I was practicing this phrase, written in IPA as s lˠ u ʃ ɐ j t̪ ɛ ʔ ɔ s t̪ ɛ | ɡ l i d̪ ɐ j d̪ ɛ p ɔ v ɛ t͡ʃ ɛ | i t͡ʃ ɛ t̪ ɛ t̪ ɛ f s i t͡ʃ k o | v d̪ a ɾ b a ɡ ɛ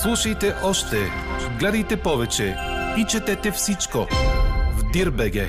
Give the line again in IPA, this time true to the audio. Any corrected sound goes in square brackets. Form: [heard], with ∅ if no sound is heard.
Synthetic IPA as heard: s lˠ u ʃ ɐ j t̪ ɛ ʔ ɔ [ʃ] t̪ ɛ | ɡ l [ɛ] d̪ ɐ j [t̪] ɛ p ɔ v ɛ t͡ʃ ɛ | i t͡ʃ ɛ t̪ ɛ t̪ ɛ f s i t͡ʃ k o | v d̪ [i] ɾ b [ɛ] ɡ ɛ